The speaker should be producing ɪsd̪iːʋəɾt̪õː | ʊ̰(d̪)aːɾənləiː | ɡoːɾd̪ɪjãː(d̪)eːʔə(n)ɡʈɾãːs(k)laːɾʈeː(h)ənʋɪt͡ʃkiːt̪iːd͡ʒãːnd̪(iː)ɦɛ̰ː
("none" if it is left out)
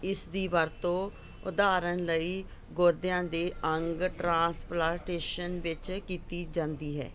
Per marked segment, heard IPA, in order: d̪, d̪, ŋ, p, ʃ, iː

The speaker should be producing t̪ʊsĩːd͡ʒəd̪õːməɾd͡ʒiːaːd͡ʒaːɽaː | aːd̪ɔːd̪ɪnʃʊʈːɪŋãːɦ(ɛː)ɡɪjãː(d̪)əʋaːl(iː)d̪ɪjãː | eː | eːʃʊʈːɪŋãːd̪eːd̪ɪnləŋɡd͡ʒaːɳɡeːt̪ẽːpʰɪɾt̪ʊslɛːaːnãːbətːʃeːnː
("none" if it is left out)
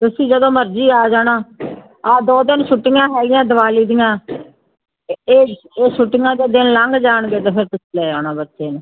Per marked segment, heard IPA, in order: ɛː, d̪, iː

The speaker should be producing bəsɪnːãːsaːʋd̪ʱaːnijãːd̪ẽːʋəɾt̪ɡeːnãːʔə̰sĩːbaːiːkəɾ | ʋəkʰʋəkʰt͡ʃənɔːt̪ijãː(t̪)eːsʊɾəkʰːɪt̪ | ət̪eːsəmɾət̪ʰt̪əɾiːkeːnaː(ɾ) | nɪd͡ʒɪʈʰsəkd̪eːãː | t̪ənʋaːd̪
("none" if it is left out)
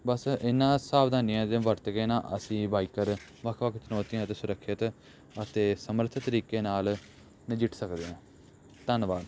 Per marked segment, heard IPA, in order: t̪, l

